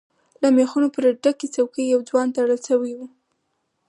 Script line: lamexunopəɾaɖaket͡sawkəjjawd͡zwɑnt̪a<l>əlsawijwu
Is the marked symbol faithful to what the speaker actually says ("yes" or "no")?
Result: no